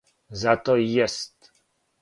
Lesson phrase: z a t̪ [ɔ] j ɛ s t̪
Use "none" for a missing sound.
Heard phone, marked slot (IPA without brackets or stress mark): ɔ